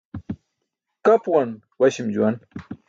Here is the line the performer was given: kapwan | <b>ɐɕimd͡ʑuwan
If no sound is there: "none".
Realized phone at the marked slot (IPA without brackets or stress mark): w